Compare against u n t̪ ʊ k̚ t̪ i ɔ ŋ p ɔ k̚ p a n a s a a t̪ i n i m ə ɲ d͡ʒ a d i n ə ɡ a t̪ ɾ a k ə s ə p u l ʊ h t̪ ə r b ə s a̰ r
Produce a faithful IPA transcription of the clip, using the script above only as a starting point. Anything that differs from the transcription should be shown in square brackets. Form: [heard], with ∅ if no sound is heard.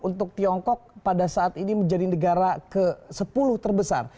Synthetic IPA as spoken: u n t̪ ʊ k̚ t̪ i ɔ ŋ [k] ɔ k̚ p a [d] a s a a t̪ i n i m ə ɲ d͡ʒ a d i n ə ɡ a [∅] ɾ a k ə s ə p u l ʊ h t̪ ə r b ə s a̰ r